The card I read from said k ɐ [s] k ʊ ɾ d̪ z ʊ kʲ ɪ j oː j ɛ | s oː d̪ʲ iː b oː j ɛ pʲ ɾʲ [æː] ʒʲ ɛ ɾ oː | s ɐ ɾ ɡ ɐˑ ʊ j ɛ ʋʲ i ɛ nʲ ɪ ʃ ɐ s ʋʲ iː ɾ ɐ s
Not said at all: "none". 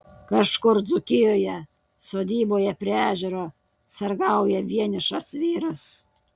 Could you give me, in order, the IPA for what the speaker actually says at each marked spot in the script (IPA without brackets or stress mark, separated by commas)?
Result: ʃ, æː